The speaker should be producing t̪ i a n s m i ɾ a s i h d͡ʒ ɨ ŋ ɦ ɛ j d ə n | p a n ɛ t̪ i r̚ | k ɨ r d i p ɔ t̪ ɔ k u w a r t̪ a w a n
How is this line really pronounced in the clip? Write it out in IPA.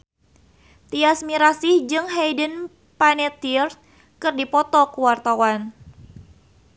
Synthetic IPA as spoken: t̪ i a s m i ɾ a s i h d͡ʒ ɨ ŋ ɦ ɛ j d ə n | p a n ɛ t̪ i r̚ | k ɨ r d i p ɔ t̪ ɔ k u w a r t̪ a w a n